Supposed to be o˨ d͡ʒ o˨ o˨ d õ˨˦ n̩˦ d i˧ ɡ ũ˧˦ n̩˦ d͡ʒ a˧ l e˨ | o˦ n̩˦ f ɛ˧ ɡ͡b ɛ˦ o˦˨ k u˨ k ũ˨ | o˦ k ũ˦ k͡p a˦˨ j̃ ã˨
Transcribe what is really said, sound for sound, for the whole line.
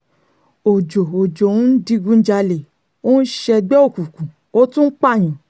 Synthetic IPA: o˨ d͡ʒ o˨ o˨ d͡ʒ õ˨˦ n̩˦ d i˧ ɡ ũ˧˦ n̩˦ d͡ʒ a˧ l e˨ | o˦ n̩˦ ʃ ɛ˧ ɡ͡b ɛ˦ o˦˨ k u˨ k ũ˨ | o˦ t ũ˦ k͡p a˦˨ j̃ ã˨